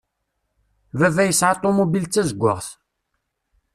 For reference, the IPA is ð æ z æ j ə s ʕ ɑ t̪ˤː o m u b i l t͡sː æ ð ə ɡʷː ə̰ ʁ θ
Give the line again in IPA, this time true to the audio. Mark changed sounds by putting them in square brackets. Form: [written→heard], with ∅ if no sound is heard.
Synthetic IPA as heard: [ð→v] æ [z→v] æ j ə s ʕ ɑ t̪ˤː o m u b i l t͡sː æ [ð→z] ə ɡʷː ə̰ ʁ θ